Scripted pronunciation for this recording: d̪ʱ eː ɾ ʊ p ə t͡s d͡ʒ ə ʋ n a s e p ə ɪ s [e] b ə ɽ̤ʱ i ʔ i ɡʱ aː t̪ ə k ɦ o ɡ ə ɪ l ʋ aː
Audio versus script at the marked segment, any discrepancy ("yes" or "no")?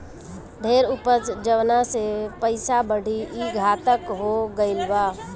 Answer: yes